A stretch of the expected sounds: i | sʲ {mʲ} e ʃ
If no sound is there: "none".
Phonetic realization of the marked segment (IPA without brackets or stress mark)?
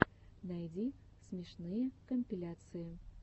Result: mʲ